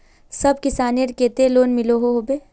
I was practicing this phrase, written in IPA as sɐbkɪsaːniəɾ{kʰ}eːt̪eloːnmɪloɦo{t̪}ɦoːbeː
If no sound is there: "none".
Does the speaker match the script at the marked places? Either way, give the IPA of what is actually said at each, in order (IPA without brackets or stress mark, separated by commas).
k, none